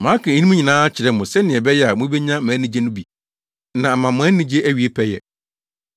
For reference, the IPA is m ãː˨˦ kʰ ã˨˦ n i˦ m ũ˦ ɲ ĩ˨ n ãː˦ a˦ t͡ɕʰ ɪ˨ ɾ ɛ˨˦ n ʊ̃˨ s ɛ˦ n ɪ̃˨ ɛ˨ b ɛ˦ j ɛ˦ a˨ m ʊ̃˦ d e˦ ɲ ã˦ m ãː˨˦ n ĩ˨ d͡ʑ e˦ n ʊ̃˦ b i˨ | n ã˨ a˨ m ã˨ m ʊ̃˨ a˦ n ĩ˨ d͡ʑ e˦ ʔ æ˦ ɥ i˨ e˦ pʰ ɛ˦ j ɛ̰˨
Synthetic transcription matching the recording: m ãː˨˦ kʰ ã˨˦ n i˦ m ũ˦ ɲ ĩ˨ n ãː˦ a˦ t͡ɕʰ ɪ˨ ɾ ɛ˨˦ m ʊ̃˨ s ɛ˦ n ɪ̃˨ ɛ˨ b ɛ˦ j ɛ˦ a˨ m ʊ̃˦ b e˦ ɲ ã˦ m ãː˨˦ n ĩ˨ d͡ʑ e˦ n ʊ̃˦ b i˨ | n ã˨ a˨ m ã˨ m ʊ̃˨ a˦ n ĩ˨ d͡ʑ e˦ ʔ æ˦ ɥ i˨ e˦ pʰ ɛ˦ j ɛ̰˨